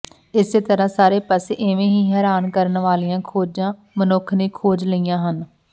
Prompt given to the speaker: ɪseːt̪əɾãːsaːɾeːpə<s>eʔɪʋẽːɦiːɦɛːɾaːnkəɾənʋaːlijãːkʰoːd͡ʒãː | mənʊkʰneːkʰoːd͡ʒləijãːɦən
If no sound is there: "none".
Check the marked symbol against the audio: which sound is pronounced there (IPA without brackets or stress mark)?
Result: s